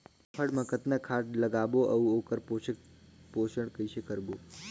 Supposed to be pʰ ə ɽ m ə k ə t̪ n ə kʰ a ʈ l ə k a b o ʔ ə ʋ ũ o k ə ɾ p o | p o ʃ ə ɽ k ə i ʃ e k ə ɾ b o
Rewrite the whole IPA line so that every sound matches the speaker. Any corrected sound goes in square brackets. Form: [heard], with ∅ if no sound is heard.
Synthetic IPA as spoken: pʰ ə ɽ m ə k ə t̪ n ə kʰ a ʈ l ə [ɡ] a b o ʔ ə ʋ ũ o k ə ɾ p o | p o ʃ ə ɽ k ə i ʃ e k ə ɾ b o